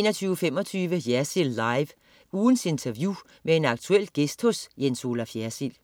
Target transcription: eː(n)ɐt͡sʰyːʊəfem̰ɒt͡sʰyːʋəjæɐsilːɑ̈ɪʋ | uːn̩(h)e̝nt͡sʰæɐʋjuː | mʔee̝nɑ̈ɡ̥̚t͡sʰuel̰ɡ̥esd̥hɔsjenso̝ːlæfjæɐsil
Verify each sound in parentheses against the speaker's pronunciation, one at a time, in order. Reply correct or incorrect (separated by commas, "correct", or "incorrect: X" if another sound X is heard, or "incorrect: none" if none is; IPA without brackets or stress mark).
correct, incorrect: s